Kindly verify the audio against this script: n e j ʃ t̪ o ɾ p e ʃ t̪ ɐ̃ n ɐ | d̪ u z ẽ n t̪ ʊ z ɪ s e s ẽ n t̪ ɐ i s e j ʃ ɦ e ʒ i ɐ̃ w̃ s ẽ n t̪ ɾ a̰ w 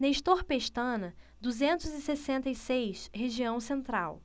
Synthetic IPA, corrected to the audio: n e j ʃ t̪ o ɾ p e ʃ t̪ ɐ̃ n ɐ | d̪ u z ẽ n t̪ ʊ z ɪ s e s ẽ n t̪ ɐ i s e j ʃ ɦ e ʒ i ɐ̃ w̃ s ẽ n t̪ ɾ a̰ w